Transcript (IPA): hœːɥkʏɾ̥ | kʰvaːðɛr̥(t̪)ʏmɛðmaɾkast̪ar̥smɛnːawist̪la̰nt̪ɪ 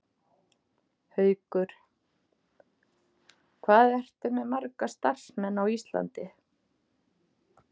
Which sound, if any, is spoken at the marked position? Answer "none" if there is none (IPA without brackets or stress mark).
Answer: t̪